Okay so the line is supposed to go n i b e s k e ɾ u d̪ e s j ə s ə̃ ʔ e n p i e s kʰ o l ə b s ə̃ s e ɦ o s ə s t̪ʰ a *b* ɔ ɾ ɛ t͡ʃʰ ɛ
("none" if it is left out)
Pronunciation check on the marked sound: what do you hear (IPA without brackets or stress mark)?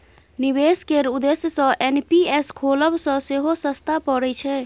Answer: p